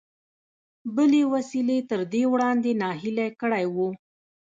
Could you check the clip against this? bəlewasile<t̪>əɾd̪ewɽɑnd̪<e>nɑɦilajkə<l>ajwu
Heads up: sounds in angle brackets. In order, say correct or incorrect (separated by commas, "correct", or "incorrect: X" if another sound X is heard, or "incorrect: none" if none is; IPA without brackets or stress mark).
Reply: correct, correct, incorrect: ɽ